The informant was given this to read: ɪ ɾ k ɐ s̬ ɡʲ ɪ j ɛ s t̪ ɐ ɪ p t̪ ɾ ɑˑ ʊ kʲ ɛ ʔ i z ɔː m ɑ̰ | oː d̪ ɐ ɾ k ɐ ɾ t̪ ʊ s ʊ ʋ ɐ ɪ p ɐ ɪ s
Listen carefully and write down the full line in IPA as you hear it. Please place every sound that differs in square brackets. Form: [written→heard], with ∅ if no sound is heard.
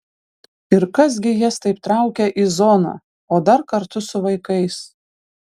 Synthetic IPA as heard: ɪ ɾ k ɐ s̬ ɡʲ ɪ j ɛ s t̪ ɐ ɪ p t̪ ɾ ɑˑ ʊ kʲ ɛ ʔ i z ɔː [m→n] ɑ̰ | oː d̪ ɐ ɾ k ɐ ɾ t̪ ʊ s ʊ ʋ ɐ ɪ [p→k] ɐ ɪ s

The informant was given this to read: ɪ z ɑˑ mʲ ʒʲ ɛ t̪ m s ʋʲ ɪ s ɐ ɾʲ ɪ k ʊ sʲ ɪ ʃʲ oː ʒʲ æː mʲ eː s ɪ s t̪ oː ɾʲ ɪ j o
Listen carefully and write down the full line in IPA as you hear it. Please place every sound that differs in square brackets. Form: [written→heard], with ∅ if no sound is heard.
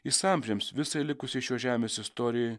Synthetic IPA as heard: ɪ [z→s] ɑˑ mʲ ʒʲ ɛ [t̪→∅] m s ʋʲ ɪ s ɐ [ɾʲ→lʲ] ɪ k ʊ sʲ ɪ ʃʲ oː ʒʲ æː mʲ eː s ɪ s t̪ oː ɾʲ ɪ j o

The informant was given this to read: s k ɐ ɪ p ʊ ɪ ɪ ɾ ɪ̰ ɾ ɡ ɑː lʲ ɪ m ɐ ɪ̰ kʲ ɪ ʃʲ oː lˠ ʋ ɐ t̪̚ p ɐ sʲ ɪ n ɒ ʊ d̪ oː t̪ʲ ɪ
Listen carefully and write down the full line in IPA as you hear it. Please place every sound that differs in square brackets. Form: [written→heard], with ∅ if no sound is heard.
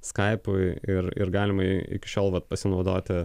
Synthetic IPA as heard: s k ɐ ɪ p ʊ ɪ ɪ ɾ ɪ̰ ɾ ɡ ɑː lʲ ɪ m ɐ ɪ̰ kʲ ɪ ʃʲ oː lˠ ʋ ɐ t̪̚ p ɐ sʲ ɪ n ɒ ʊ d̪ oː t̪ʲ ɪ

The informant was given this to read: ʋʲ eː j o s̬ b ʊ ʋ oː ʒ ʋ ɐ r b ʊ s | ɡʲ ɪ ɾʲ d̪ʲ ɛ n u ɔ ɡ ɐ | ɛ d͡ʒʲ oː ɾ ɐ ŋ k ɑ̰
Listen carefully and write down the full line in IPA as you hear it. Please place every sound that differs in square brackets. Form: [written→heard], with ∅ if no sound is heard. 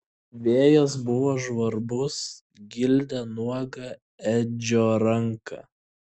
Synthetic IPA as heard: ʋʲ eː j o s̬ b ʊ ʋ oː ʒ ʋ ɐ [r→ɾ] b ʊ s | ɡʲ ɪ [ɾʲ→lʲ] d̪ʲ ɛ n u ɔ ɡ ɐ | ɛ d͡ʒʲ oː ɾ ɐ ŋ k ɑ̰

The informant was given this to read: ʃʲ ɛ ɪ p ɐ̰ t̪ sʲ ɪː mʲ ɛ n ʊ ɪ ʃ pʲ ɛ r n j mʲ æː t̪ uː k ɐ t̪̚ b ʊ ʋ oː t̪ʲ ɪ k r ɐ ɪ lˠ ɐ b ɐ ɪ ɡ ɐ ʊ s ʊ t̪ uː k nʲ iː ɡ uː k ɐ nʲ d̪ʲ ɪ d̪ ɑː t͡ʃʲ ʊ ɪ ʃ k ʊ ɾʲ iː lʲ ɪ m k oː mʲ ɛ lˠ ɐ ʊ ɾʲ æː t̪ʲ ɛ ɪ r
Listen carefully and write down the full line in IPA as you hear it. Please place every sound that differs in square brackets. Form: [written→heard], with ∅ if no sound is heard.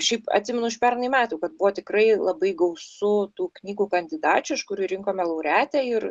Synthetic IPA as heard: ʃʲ ɛ ɪ p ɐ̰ t̪ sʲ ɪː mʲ ɛ n ʊ ɪ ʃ pʲ ɛ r n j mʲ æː t̪ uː k ɐ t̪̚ b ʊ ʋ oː t̪ʲ ɪ k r ɐ ɪ lˠ ɐ b ɐ ɪ ɡ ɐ ʊ s ʊ t̪ uː k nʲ iː ɡ uː k ɐ nʲ d̪ʲ ɪ d̪ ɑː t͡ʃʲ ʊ ɪ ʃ k ʊ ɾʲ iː [lʲ→ɾʲ] ɪ [m→ŋ] k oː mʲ ɛ lˠ ɐ ʊ ɾʲ æː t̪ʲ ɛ ɪ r

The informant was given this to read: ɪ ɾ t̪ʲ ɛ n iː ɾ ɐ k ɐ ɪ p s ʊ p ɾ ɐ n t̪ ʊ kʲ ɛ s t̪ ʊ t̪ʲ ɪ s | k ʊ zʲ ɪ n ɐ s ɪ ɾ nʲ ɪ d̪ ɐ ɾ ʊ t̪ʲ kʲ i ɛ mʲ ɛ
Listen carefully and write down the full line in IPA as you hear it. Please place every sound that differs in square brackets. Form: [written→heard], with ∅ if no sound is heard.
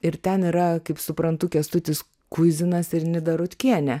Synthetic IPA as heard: ɪ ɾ t̪ʲ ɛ n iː ɾ ɐ k ɐ ɪ p s ʊ p ɾ ɐ n t̪ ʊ kʲ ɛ s t̪ ʊ t̪ʲ ɪ s | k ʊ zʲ ɪ n ɐ s ɪ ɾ nʲ ɪ d̪ ɐ ɾ ʊ t̪ʲ kʲ i ɛ [mʲ→nʲ] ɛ

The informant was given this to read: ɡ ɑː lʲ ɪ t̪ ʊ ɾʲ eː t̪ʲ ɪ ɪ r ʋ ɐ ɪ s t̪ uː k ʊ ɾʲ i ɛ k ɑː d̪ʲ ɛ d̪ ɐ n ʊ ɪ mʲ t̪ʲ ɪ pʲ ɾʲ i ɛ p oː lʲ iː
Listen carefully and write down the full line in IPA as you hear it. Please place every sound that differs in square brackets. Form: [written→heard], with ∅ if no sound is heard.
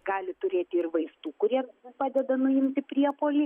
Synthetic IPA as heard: ɡ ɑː lʲ ɪ t̪ ʊ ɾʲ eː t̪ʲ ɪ ɪ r ʋ ɐ ɪ s t̪ uː k ʊ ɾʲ i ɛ [k→p] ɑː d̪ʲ ɛ d̪ ɐ n ʊ ɪ mʲ t̪ʲ ɪ pʲ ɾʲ i ɛ p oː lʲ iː

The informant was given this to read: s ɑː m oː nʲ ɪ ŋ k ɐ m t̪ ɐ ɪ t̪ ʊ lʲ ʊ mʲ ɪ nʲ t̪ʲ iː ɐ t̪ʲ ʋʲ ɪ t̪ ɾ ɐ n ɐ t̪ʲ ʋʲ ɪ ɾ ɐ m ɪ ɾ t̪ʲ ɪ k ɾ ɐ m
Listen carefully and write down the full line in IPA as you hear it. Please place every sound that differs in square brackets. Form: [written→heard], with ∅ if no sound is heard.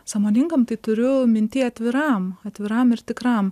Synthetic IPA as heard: s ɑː m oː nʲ ɪ ŋ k ɐ m t̪ ɐ ɪ t̪ ʊ [lʲ→ɾʲ] ʊ mʲ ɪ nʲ t̪ʲ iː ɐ t̪ʲ ʋʲ ɪ [t̪→∅] ɾ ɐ [n→m] ɐ t̪ʲ ʋʲ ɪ ɾ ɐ m ɪ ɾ t̪ʲ ɪ k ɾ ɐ m

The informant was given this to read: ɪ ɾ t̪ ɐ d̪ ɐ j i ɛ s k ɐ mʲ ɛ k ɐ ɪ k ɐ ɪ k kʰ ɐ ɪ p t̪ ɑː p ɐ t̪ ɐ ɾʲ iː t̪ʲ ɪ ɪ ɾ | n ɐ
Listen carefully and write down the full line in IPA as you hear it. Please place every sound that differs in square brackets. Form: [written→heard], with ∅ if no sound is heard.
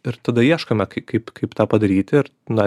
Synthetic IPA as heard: ɪ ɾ t̪ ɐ d̪ ɐ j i ɛ [s→ʃ] k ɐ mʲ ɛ k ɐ ɪ k ɐ ɪ [k→p] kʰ ɐ ɪ p t̪ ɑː p ɐ [t̪→d̪] ɐ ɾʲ iː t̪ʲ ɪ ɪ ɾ | n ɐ

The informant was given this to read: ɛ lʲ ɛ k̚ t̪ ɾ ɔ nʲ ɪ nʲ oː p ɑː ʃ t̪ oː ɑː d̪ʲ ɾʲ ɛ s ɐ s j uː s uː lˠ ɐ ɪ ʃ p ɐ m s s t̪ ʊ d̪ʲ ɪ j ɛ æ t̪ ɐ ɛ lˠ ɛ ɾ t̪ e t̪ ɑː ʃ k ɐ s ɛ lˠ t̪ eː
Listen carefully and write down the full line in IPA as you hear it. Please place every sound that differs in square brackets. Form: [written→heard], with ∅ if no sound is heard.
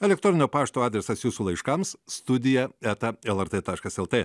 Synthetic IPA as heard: ɛ lʲ ɛ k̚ t̪ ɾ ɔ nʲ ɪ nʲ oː p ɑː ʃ t̪ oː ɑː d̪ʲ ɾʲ ɛ s ɐ s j uː s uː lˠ ɐ ɪ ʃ [p→k] ɐ m s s t̪ ʊ d̪ʲ ɪ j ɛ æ t̪ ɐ ɛ lˠ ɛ ɾ t̪ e t̪ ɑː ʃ k ɐ s ɛ lˠ t̪ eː

